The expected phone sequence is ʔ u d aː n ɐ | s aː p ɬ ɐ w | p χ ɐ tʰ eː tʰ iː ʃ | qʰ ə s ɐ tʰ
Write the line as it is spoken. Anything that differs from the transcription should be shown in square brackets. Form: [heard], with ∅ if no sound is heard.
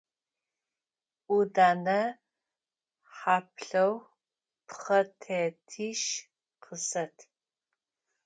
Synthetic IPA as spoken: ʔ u d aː n ɐ | [ħ] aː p ɬ ɐ w | p χ ɐ tʰ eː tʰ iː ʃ | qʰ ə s ɐ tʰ